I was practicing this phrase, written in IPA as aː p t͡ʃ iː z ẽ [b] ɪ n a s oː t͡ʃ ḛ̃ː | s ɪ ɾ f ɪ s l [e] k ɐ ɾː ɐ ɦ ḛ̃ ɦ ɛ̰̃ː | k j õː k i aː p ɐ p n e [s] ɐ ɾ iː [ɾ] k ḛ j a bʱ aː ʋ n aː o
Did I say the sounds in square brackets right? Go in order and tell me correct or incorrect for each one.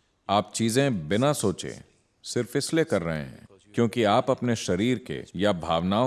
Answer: correct, correct, incorrect, correct

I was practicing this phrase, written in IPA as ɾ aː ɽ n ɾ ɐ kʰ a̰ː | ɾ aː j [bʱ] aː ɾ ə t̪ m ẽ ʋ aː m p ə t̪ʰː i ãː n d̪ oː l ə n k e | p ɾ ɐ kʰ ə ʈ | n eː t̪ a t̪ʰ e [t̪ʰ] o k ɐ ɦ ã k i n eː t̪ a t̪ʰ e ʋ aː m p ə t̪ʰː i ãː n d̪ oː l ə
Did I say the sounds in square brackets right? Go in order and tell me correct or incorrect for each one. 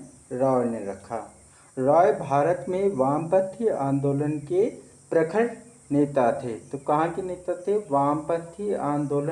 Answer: correct, incorrect

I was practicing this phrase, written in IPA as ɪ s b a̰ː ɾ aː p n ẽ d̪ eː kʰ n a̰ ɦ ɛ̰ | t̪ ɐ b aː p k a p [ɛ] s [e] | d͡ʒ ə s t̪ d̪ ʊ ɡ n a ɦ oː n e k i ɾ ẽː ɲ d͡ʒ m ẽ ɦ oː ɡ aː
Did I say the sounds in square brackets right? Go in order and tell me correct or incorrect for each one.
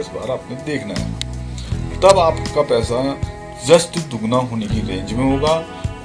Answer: incorrect, incorrect

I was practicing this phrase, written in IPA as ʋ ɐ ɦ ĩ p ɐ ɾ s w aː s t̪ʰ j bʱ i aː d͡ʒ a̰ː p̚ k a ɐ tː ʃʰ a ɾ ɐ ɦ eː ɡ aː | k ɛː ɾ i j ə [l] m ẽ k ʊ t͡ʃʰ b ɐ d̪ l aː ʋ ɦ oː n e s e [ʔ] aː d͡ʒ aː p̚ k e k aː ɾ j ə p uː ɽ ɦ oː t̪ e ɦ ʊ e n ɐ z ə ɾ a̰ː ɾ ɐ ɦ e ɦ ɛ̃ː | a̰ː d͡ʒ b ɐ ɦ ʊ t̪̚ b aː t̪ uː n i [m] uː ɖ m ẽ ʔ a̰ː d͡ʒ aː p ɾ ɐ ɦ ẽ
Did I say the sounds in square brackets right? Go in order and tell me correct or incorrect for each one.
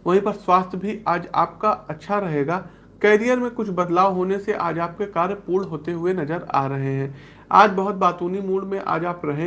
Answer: incorrect, correct, correct

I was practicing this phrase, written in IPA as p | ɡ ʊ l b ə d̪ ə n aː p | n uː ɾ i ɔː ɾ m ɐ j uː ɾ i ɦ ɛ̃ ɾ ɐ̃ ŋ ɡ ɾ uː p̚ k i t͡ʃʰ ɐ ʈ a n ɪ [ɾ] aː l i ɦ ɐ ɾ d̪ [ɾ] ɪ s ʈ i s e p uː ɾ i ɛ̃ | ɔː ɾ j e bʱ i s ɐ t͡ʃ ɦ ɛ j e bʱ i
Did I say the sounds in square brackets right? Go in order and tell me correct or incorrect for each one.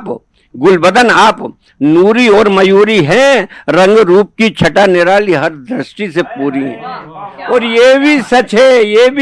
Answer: correct, correct

